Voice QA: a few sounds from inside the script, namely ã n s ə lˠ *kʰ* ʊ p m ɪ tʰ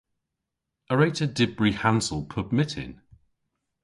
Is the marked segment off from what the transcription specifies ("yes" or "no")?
yes